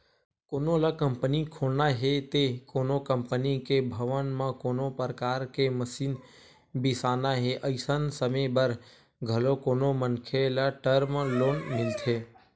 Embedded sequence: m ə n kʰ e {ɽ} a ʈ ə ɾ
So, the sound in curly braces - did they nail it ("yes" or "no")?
no